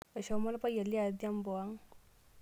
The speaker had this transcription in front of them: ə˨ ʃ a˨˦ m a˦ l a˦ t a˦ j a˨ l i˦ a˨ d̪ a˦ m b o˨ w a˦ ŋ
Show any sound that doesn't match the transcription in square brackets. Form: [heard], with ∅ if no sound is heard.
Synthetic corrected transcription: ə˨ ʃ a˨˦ m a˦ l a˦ [p] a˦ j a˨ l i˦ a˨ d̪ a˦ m b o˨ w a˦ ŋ